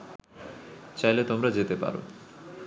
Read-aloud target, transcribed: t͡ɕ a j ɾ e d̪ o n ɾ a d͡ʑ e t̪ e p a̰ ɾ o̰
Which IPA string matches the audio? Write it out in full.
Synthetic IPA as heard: t͡ɕ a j l e t̪ o m ɾ a d͡ʑ e t̪ e p a̰ ɾ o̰